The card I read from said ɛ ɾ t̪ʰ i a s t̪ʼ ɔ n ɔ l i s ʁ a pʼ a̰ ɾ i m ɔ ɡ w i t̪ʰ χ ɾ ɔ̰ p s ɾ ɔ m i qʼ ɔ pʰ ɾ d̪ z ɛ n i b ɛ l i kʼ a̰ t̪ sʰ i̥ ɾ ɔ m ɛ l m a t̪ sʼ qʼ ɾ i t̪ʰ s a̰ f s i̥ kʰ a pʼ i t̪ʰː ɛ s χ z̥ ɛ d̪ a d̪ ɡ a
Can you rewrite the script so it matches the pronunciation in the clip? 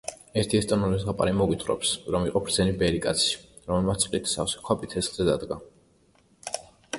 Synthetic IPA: ɛ ɾ t̪ʰ i ɛ s t̪ʼ ɔ n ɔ l i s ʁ a pʼ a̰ ɾ i m ɔ ɡ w i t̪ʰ χ ɾ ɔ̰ p s ɾ ɔ m i qʼ ɔ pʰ ɾ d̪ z ɛ n i b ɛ ɾ i kʼ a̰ t̪ sʰ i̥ ɾ ɔ m ɛ l m a t̪ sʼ qʼ l i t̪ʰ s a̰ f s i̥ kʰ a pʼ i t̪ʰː ɛ s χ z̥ ɛ d̪ a d̪ ɡ a